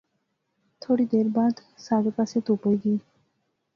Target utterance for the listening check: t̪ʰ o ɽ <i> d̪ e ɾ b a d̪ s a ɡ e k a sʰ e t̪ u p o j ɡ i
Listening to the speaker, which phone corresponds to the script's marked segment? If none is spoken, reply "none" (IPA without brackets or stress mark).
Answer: i